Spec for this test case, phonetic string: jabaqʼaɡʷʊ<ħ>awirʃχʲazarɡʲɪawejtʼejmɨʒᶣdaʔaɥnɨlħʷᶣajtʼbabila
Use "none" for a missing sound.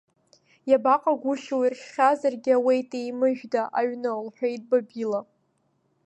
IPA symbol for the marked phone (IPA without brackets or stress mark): ʃ